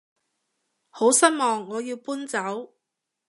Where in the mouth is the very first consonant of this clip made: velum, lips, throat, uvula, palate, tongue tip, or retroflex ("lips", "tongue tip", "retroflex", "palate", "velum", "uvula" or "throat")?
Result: throat